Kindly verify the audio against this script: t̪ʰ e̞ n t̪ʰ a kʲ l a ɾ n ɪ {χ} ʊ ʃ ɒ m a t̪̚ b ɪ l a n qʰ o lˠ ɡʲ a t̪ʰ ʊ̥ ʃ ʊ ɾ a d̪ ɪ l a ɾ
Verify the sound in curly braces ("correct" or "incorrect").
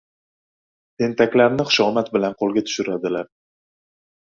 correct